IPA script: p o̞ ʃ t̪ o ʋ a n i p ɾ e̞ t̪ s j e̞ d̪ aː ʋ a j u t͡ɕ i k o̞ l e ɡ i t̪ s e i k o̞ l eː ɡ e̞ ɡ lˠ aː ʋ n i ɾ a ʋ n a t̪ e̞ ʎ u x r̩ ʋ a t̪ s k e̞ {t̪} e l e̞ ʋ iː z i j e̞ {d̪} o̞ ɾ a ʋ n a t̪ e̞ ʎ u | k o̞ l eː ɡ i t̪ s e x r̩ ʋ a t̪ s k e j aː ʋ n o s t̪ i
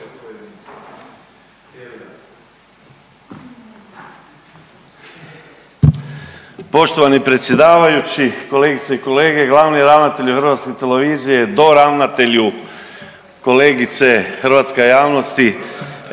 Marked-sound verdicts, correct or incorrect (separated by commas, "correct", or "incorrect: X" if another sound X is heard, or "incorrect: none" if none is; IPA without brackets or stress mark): correct, correct